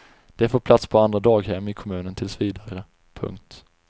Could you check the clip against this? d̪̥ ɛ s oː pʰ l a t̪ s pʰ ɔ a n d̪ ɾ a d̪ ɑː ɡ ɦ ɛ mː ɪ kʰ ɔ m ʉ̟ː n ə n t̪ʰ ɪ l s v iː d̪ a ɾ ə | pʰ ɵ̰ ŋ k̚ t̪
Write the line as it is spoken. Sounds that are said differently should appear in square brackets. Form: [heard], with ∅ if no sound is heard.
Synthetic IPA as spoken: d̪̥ ɛ [f] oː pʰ l a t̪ s pʰ ɔ a n d̪ ɾ a d̪ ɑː ɡ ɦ ɛ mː ɪ kʰ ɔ m ʉ̟ː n ə n t̪ʰ ɪ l s v iː d̪ a ɾ ə | pʰ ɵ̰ ŋ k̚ t̪

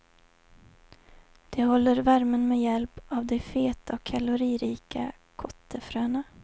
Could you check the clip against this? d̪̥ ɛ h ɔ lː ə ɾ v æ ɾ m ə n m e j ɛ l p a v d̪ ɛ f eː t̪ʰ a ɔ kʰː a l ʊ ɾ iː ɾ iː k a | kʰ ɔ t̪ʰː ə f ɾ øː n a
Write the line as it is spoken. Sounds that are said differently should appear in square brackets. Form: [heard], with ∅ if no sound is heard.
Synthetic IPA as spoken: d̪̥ ɛ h ɔ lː ə ɾ v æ ɾ m ə n m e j ɛ l p a v d̪ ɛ f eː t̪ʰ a ɔ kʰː a l ʊ ɾ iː ɾ iː k a | kʰ ɔ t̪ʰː ə f ɾ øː n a

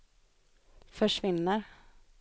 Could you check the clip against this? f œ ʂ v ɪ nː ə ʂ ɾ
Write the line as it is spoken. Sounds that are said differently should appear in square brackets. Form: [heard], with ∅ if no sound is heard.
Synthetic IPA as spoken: f œ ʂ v ɪ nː ə [∅] ɾ

